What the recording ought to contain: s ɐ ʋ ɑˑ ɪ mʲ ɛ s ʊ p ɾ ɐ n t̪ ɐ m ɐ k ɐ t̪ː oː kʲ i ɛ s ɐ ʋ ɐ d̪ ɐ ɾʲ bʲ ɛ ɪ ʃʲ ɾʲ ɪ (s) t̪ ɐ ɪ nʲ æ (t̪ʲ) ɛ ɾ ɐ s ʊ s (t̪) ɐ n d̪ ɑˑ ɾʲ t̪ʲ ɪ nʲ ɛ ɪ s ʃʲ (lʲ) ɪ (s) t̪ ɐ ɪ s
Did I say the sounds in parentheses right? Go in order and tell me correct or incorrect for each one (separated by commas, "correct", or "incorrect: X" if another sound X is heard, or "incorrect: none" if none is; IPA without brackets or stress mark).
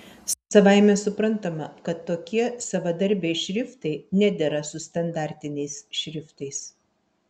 incorrect: f, incorrect: d̪ʲ, correct, incorrect: ɾʲ, incorrect: f